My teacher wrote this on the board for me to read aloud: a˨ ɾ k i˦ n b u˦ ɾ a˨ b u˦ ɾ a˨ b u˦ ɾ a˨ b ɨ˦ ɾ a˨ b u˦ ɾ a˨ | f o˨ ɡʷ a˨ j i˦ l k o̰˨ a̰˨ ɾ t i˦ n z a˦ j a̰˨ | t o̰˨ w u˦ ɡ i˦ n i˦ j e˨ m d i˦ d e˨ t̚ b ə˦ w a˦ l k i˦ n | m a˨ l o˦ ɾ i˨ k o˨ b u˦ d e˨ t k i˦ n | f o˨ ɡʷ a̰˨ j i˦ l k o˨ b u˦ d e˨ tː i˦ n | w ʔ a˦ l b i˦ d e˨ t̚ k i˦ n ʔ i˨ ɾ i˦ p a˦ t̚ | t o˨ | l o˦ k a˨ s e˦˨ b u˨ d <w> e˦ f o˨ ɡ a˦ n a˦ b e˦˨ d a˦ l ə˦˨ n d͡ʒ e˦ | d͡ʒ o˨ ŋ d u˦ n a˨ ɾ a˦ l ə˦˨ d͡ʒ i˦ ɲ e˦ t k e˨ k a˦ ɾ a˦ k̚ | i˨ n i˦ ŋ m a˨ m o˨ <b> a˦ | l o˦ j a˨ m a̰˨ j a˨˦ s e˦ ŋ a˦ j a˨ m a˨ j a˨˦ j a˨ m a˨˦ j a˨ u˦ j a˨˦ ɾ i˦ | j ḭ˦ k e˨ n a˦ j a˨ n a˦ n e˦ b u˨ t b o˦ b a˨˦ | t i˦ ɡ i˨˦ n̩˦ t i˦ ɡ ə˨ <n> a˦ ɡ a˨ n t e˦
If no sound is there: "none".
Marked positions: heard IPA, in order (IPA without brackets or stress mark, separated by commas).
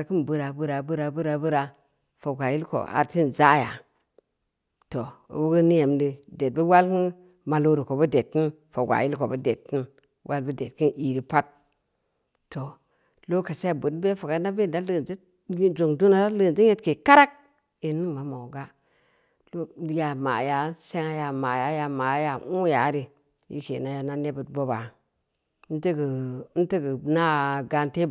b, ɡ, n